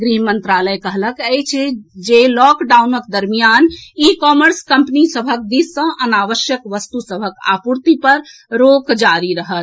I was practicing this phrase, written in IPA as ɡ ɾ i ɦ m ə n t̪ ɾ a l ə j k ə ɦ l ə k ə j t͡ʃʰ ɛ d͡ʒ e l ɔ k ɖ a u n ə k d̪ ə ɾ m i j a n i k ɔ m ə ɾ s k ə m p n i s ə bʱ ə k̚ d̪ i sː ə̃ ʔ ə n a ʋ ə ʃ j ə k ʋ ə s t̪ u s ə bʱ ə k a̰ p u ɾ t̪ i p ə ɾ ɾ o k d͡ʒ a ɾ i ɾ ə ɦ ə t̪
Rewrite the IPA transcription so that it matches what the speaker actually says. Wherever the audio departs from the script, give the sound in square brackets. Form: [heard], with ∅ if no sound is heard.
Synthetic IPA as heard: ɡ ɾ i ɦ m ə n t̪ ɾ a l ə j k ə ɦ l ə k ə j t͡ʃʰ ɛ d͡ʒ e l ɔ k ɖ a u n ə k d̪ ə ɾ m i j a n i k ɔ m ə ɾ s k ə m p n i s ə bʱ ə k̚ d̪ i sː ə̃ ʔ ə n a ʋ ə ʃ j ə k ʋ ə s t̪ u s ə bʱ ə k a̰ p u ɾ t̪ i p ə ɾ ɾ o k d͡ʒ a ɾ i ɾ ə ɦ ə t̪